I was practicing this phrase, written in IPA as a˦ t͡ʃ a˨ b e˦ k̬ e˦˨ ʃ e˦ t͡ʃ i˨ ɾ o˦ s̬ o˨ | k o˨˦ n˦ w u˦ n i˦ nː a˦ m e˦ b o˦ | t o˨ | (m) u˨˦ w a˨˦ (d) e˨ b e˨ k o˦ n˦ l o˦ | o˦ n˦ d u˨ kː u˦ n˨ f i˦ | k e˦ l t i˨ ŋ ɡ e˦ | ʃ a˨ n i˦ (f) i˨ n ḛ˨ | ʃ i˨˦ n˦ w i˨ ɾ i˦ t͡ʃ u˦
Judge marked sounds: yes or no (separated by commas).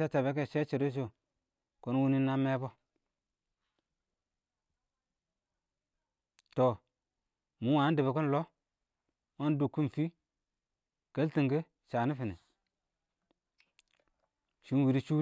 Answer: yes, yes, yes